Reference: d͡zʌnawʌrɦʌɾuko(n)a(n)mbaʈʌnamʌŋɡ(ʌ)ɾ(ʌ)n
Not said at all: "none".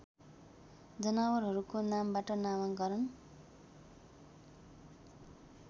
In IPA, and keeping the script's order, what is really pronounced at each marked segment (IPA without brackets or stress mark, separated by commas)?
n, none, ʌ, ʌ